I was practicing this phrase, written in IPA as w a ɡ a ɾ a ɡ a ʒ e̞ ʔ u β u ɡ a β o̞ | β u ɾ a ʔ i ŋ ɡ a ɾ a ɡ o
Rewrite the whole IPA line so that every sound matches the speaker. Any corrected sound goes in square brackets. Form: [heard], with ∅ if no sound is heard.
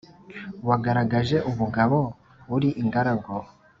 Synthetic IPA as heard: w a ɡ a ɾ a ɡ a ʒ e̞ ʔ u β u ɡ a β o̞ | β u ɾ [i] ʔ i ŋ ɡ a ɾ a ɡ o

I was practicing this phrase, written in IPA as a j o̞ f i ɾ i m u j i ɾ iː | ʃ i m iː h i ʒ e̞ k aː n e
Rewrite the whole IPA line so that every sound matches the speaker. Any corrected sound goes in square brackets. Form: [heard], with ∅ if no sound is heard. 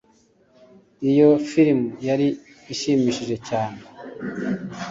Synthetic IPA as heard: [i] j o̞ f i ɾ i m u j [a] ɾ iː | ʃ i m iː [ʃ] i ʒ e̞ [c] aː n e

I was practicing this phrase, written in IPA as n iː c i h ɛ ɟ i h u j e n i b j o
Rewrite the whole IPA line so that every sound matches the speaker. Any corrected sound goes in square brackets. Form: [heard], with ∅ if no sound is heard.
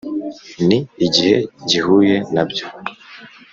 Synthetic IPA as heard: n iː [ɟ] i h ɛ ɟ i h u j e n [a] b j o

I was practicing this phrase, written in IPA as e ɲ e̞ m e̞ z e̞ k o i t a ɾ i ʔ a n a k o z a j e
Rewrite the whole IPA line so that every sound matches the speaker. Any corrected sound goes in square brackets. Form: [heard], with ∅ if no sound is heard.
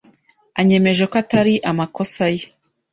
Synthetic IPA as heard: [a] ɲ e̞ m e̞ [ʒ] e̞ k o [a] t a ɾ i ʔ a [m] a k o [s] a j e

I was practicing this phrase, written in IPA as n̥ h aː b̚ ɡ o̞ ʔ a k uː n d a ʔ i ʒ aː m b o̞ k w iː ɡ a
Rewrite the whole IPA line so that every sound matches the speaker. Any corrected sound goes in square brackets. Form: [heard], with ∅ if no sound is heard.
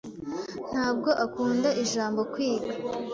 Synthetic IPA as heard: n̥ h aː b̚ ɡ o̞ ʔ a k uː n d a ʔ i ʒ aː m b o̞ k w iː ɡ a

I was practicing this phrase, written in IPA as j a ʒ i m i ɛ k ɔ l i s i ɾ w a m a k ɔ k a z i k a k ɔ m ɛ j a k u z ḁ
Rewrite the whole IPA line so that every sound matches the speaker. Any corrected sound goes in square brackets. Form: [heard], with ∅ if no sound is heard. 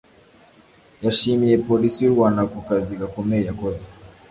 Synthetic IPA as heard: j a [ʃ] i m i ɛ [p] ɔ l i s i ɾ w a [n] a k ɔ k a z i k a k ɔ m ɛ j a k [ɔ] z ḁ

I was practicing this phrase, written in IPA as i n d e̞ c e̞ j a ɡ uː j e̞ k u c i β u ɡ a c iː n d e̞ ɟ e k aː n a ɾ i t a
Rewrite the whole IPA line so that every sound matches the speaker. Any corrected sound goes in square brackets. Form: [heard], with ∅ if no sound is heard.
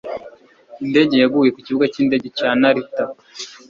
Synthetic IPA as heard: i n d e̞ [ɟ] e̞ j a ɡ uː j e̞ k u c i β u ɡ a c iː n d e̞ ɟ e [c] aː n a ɾ i t a

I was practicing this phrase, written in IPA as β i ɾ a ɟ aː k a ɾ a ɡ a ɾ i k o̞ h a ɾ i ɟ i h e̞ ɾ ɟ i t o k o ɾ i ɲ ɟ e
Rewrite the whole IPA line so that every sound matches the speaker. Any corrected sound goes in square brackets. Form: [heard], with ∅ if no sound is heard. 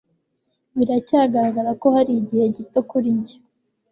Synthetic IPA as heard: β i ɾ a [c] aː [ɡ] a ɾ a ɡ a ɾ [a] k o̞ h a ɾ i ɟ i h e̞ [∅] ɟ i t o k [u] ɾ i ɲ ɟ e

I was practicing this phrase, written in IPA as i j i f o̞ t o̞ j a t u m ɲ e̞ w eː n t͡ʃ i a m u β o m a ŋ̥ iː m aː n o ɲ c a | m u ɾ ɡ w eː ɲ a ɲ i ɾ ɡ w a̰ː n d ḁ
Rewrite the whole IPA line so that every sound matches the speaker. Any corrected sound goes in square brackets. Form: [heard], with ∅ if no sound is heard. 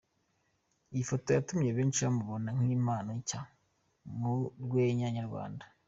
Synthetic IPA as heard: i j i f o̞ t o̞ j a t u m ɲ e̞ [β] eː n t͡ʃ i a m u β o [n] a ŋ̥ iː m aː n o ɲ c a | m u ɾ ɡ w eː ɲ a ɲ [a] ɾ ɡ w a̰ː n d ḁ

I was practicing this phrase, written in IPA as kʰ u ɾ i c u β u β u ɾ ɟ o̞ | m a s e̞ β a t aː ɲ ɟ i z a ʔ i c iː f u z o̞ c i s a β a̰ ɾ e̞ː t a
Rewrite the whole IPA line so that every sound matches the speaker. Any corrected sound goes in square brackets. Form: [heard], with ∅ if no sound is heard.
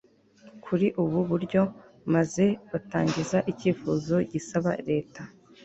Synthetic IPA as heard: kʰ u ɾ i [ʔ] u β u β u ɾ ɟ o̞ | m a [z] e̞ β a t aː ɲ ɟ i z a ʔ i c iː f u z o̞ [ɟ] i s a β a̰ ɾ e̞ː t a

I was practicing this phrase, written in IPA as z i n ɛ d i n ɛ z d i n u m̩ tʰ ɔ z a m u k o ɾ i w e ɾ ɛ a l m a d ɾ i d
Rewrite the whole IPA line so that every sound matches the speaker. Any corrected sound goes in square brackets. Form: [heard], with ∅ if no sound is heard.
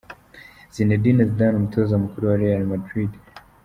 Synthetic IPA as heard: z i n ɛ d i n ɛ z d [a] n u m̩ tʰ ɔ z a m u k [u] ɾ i w [a] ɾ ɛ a l m a d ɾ i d

